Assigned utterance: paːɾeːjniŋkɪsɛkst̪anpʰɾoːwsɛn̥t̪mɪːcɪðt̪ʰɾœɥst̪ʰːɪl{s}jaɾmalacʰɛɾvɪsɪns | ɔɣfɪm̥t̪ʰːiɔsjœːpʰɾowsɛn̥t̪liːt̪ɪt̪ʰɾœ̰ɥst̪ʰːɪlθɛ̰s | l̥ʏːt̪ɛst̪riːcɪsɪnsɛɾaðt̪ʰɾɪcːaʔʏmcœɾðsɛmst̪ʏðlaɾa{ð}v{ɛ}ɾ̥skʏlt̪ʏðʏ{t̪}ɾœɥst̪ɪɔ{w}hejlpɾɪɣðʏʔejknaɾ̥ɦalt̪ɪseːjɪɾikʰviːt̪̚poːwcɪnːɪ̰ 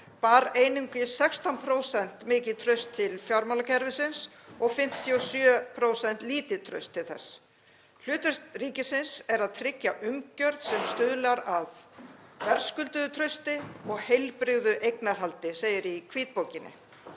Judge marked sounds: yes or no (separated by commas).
no, yes, yes, no, no